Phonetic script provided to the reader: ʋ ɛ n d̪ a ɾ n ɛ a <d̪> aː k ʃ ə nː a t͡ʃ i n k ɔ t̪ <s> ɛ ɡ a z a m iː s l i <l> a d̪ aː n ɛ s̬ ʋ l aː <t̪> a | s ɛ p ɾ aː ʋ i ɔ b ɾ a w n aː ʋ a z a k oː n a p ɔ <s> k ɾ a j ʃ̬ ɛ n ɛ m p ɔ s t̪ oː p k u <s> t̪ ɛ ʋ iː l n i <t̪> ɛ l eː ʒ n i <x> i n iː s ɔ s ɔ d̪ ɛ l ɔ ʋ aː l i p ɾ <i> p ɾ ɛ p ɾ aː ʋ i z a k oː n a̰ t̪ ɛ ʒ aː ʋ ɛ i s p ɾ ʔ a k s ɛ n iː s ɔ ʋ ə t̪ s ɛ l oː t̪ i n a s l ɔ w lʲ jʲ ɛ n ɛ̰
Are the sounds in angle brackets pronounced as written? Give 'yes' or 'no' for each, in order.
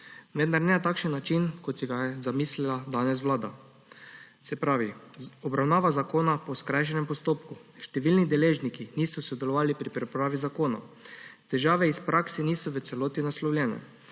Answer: no, yes, yes, no, yes, no, no, no, yes

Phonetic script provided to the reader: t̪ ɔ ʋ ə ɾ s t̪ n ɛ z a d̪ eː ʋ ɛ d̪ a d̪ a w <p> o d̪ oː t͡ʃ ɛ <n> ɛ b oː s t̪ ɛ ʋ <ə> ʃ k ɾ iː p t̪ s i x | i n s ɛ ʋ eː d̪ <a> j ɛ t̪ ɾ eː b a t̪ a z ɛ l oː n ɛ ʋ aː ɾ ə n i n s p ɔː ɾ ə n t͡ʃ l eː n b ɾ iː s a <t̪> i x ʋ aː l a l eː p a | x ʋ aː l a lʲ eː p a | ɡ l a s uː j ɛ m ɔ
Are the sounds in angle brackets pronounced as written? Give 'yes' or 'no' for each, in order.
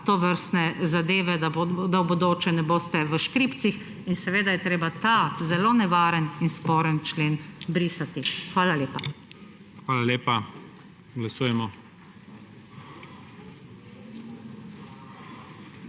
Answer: no, yes, yes, yes, yes

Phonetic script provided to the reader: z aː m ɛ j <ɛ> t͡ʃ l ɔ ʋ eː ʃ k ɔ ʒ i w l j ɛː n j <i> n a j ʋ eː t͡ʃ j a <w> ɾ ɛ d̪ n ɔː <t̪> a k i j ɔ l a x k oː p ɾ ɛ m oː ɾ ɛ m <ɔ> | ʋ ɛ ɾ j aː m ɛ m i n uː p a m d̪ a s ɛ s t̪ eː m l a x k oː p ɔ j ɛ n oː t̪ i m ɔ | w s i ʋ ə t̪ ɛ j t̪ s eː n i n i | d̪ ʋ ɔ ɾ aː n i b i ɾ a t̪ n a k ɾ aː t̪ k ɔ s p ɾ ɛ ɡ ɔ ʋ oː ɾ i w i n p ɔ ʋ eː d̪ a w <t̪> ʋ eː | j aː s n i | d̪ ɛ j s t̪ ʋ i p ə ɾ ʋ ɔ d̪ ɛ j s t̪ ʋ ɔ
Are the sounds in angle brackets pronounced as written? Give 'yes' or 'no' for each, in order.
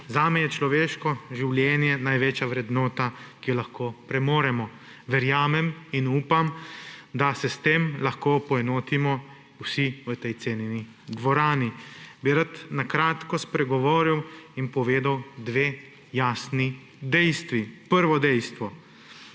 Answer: yes, no, no, yes, yes, no

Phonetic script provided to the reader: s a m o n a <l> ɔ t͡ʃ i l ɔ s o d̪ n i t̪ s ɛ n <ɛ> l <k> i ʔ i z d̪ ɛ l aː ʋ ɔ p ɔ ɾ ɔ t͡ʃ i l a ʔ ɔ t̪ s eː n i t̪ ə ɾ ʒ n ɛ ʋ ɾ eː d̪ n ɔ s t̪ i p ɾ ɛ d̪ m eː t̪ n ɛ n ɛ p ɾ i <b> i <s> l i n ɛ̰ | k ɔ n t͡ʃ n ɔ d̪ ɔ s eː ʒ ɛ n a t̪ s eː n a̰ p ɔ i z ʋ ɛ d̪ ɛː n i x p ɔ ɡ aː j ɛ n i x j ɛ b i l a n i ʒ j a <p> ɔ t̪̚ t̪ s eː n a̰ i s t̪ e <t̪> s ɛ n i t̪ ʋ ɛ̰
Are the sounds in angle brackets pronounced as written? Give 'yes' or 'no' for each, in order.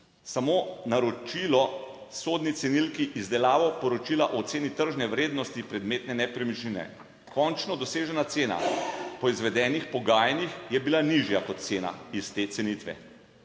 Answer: no, no, yes, no, no, no, yes

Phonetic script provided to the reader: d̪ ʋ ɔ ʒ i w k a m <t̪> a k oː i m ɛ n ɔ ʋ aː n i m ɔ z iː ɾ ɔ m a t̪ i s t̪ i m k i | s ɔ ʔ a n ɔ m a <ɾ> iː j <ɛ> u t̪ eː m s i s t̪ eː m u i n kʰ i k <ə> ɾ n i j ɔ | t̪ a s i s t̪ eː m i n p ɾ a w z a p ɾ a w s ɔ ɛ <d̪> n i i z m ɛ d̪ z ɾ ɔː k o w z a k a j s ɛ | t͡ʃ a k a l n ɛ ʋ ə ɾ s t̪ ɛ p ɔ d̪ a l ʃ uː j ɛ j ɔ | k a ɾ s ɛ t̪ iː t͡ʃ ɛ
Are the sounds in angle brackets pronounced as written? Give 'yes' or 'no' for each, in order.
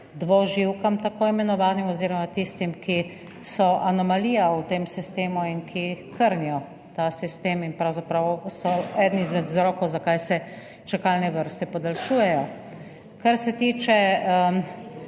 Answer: yes, no, no, yes, yes

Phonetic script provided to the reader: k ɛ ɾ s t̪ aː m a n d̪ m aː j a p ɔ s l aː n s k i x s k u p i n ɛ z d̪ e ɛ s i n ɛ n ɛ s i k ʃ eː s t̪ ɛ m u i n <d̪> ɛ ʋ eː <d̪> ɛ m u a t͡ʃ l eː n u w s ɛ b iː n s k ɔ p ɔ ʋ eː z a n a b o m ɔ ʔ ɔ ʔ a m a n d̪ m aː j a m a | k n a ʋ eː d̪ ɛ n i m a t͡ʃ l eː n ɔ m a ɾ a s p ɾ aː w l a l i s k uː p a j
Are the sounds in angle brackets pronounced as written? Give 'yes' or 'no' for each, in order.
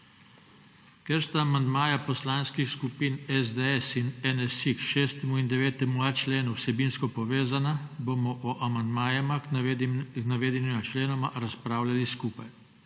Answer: yes, no

